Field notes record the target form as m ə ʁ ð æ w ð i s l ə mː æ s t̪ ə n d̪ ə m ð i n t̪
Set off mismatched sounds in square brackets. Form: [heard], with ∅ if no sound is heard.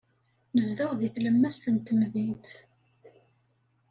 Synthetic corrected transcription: m ə [z] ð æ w ð i [θ] l ə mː æ s t̪ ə n [t̪] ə m ð i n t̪